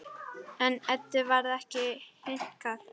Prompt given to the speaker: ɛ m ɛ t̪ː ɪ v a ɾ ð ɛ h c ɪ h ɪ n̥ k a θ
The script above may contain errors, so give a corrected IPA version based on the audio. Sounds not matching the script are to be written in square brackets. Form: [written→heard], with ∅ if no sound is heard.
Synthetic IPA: ɛ [m→n] ɛ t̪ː ɪ v a ɾ ð ɛ h c ɪ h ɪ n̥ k a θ